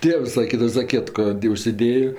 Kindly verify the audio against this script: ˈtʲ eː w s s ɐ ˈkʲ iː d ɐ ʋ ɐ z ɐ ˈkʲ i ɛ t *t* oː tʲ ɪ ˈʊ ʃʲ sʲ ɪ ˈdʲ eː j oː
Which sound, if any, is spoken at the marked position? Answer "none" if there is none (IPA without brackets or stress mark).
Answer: k